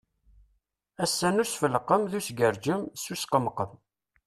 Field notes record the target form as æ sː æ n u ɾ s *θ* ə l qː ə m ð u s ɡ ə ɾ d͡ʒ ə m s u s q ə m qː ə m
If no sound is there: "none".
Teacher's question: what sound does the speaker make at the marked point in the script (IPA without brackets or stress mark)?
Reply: f